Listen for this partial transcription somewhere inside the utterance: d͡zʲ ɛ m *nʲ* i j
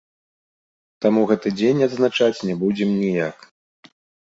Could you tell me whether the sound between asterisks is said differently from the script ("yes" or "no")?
no